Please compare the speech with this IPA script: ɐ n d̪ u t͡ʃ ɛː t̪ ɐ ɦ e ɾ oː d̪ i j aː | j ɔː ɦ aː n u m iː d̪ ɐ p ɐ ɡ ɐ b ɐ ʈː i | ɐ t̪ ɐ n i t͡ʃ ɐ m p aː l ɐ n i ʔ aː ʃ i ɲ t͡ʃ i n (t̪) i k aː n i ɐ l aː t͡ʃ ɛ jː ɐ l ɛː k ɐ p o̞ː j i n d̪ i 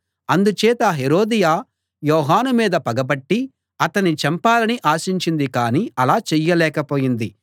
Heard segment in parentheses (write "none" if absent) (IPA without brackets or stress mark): d̪